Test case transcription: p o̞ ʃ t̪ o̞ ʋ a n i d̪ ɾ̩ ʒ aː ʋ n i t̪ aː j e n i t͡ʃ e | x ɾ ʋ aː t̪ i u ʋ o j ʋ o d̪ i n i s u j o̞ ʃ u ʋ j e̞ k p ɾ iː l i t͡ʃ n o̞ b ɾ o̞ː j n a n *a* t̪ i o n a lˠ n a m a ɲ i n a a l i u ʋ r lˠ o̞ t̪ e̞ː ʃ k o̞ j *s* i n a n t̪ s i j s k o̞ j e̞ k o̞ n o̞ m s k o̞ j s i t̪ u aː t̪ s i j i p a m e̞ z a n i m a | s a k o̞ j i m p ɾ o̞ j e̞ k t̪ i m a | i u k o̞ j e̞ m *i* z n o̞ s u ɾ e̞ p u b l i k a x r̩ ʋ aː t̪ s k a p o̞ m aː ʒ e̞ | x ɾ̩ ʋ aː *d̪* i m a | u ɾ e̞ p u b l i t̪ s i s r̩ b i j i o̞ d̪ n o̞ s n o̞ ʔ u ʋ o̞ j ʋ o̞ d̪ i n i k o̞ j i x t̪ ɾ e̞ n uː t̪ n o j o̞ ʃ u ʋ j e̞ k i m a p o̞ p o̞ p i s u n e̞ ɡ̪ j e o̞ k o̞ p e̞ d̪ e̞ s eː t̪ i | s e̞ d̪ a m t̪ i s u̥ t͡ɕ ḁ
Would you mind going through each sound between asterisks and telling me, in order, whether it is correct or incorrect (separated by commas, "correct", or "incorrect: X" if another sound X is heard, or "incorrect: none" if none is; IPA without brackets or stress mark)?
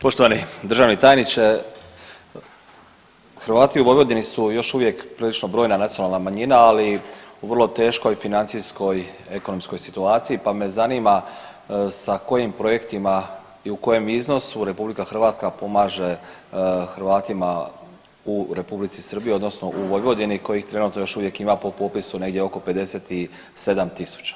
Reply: correct, incorrect: f, correct, incorrect: t̪